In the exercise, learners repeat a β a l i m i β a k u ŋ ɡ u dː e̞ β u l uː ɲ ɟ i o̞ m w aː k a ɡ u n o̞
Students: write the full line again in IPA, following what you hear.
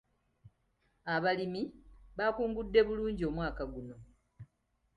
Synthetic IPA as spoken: a β a l i m i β a k uː ŋ ɡ u dː e̞ β u l uː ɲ ɟ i o̞ m w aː k a ɡ u n o̞